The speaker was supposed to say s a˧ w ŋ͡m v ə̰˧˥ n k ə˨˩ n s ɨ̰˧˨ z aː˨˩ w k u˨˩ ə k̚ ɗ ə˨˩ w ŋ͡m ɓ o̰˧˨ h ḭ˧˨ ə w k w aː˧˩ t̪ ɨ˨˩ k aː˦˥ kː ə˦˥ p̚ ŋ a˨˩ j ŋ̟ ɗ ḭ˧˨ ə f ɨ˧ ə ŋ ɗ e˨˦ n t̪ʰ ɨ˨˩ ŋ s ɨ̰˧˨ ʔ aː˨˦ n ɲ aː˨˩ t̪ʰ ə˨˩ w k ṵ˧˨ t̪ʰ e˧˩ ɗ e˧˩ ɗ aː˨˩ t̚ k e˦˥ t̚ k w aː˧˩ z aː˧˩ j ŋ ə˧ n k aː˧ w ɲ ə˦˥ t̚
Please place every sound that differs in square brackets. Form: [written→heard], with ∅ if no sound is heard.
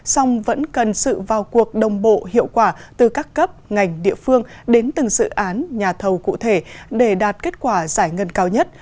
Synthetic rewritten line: s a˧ w ŋ͡m v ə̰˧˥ n k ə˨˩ n s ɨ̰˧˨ [z→v] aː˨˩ w k u˨˩ ə k̚ ɗ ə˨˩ w ŋ͡m ɓ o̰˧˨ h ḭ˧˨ ə w k w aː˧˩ t̪ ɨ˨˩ k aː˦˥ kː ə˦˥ p̚ ŋ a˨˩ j ŋ̟ ɗ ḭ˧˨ ə f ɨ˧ ə ŋ ɗ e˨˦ n [t̪ʰ→t̪] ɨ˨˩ ŋ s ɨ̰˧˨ ʔ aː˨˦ n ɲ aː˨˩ t̪ʰ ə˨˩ w k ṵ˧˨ t̪ʰ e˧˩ ɗ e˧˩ ɗ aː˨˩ t̚ k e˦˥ t̚ k w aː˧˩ z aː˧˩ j ŋ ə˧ n k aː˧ w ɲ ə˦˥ t̚